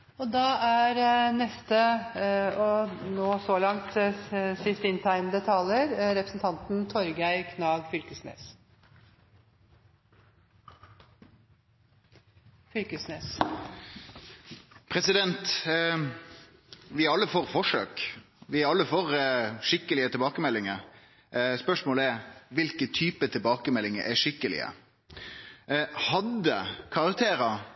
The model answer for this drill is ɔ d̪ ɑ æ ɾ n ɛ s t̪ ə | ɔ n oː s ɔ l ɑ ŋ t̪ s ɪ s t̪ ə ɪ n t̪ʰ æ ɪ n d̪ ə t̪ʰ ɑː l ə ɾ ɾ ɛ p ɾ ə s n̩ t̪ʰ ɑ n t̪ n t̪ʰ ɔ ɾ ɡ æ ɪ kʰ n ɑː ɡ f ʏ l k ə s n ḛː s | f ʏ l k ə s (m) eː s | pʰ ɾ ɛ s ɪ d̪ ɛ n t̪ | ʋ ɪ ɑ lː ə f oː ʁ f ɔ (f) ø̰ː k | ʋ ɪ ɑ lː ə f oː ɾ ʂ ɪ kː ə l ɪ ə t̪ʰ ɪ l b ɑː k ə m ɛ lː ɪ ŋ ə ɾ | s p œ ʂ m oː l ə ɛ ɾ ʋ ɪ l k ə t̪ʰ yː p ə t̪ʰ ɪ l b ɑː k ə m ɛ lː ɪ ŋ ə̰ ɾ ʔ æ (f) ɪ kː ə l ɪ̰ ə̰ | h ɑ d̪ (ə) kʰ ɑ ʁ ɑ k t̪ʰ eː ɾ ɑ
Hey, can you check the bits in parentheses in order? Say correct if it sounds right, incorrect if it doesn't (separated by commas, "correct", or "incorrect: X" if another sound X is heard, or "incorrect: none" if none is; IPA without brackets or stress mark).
incorrect: n, incorrect: ʂ, incorrect: ʂ, correct